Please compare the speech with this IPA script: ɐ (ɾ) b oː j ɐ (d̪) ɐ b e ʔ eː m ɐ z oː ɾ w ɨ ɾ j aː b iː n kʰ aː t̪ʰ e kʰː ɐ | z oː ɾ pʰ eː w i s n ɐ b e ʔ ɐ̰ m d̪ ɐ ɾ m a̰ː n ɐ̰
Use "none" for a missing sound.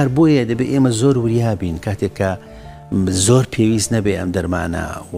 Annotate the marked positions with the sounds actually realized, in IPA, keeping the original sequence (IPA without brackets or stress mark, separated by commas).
ɾ, d̪